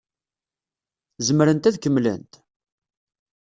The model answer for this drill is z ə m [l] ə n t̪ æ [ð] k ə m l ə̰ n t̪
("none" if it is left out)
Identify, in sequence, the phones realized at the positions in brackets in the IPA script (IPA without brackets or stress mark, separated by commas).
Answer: ɾ, ð